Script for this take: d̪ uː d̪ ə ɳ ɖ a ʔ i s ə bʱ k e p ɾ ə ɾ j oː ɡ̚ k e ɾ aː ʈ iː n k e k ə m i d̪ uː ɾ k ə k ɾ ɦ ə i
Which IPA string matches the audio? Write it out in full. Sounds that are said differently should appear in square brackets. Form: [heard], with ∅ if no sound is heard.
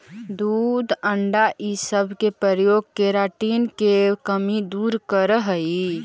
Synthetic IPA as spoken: d̪ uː d̪ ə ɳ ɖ a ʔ i s ə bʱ k e p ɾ ə ɾ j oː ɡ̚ k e ɾ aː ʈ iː n k e k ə m i d̪ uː ɾ k ə [∅] ɾ ɦ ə i